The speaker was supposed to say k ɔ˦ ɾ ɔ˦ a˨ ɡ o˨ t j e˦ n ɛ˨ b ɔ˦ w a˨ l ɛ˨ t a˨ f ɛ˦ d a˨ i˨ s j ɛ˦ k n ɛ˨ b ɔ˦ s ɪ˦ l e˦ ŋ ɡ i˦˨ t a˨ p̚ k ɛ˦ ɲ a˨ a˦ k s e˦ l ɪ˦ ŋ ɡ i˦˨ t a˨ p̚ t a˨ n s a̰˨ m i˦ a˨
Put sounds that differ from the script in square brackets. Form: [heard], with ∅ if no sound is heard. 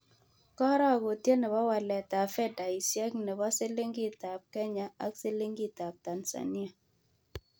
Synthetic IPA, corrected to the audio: k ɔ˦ ɾ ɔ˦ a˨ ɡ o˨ t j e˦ n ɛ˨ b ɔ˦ w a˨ l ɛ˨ t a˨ f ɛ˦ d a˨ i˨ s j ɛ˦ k n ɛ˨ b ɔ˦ s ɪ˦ l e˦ ŋ ɡ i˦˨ t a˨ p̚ k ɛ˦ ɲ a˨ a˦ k s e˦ l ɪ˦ ŋ ɡ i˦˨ t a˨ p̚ t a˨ n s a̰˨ [n] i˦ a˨